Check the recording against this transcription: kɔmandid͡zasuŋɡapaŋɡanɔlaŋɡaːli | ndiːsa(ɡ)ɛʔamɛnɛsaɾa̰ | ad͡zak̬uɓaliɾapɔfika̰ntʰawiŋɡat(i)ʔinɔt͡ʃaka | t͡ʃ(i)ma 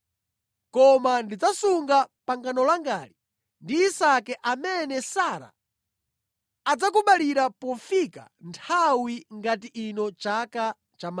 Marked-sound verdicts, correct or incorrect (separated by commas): incorrect, correct, incorrect